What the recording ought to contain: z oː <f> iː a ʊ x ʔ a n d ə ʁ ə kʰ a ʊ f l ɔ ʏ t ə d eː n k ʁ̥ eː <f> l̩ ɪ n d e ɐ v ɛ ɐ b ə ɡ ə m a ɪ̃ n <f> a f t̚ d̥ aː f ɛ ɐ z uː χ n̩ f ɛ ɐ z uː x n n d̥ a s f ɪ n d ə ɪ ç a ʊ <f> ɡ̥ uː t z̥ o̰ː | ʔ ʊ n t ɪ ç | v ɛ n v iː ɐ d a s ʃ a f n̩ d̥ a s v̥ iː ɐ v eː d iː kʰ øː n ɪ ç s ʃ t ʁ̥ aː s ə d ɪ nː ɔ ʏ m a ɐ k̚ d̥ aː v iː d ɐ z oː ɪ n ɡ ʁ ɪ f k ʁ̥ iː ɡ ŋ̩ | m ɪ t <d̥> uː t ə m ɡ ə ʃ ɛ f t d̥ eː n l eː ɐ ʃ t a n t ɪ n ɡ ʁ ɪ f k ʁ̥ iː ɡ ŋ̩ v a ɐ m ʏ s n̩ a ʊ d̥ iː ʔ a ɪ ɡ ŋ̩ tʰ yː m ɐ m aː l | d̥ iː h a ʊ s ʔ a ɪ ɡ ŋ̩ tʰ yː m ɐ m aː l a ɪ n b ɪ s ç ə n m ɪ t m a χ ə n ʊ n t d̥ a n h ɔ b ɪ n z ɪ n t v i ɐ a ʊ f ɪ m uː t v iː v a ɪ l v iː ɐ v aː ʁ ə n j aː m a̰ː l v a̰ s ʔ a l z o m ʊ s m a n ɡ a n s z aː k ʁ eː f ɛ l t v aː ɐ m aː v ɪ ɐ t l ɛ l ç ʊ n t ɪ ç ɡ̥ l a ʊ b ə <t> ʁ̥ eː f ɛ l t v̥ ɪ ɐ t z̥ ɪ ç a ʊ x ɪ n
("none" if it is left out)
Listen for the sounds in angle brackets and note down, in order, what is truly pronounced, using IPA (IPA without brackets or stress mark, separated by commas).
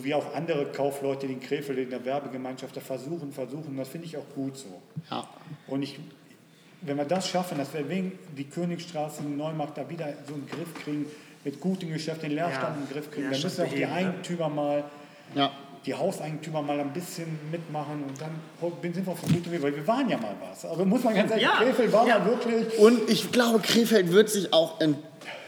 v, f, ʃ, x, ɡ̥, k